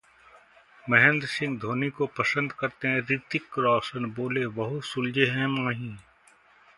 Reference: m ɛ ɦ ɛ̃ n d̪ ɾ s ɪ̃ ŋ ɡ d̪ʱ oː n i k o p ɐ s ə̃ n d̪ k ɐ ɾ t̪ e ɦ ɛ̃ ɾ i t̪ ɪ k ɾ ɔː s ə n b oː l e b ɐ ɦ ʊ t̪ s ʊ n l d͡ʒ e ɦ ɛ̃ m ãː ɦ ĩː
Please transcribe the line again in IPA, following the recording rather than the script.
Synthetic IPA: m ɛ ɦ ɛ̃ n d̪ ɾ s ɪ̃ ŋ ɡ d̪ʱ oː n i k o p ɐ s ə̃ n d̪ k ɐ ɾ t̪ e ɦ ɛ̃ ɾ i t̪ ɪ k ɾ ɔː s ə n b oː l e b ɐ ɦ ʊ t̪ s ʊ l d͡ʒ e ɦ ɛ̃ m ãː ɦ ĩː